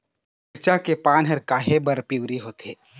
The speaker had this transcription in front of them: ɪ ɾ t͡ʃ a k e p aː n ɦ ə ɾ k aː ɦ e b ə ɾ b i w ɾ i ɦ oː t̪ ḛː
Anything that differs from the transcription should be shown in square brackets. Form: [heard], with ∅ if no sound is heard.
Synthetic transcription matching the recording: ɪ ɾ t͡ʃ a k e p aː n ɦ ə ɾ k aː ɦ e b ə ɾ [p] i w ɾ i ɦ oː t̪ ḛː